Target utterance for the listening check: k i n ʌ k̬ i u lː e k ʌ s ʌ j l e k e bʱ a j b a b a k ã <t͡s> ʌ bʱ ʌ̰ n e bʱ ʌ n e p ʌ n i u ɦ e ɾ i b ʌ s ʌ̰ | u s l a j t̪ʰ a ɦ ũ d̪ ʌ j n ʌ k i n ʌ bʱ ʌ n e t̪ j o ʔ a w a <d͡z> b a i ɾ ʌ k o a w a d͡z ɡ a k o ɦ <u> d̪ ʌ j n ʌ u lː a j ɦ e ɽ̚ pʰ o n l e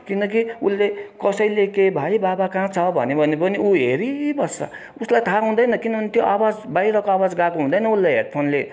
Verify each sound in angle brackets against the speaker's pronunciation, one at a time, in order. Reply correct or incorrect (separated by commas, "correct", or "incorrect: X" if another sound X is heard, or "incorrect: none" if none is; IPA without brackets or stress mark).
incorrect: t͡sʰ, correct, incorrect: ũ